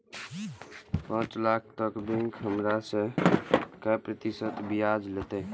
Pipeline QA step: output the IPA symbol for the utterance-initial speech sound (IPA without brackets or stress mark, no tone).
p